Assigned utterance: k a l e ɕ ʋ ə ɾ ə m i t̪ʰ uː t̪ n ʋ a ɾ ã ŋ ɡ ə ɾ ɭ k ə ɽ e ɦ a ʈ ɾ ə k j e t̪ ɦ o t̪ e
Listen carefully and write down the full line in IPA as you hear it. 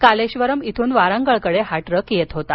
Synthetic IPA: k a l e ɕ ʋ ə ɾ ə m i t̪ʰ uː n ʋ a ɾ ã ŋ ɡ ə ɭ k ə ɽ e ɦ a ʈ ɾ ə k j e t̪ ɦ o t̪ a